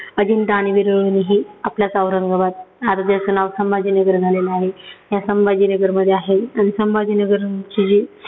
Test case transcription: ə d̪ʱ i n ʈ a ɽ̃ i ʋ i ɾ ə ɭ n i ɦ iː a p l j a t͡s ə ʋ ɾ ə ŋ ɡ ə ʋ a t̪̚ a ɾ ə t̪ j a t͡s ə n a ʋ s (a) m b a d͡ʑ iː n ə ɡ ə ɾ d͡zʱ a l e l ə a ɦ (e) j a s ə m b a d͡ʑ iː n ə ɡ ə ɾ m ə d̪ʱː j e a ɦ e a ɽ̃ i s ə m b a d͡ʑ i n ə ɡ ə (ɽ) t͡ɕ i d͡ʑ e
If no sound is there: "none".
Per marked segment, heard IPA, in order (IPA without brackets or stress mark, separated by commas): ə, e, ɾ